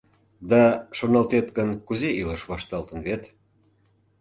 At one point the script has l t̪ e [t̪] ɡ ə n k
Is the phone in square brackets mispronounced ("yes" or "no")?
no